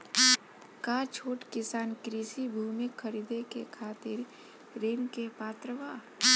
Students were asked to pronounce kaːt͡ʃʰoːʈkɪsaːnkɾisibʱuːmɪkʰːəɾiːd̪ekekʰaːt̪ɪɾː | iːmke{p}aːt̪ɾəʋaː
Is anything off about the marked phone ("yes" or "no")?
no